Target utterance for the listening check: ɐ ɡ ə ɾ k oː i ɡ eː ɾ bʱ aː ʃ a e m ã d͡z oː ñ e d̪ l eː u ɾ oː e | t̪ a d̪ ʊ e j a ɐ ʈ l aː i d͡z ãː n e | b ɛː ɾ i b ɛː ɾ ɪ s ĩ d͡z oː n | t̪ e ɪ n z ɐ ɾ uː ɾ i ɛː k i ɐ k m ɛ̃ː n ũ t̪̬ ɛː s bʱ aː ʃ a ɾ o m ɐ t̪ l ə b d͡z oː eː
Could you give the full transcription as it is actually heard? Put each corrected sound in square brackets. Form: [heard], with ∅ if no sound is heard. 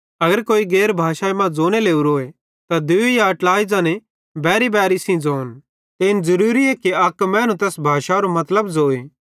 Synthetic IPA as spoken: ɐ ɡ ə ɾ k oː i ɡ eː ɾ bʱ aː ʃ a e m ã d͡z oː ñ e [∅] l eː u ɾ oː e | t̪ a d̪ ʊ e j a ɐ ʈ l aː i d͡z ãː n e | b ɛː ɾ i b ɛː ɾ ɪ s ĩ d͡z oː n | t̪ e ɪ n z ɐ ɾ uː ɾ i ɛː k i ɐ k m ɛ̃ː n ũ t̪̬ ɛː s bʱ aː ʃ a ɾ o m ɐ t̪ l ə b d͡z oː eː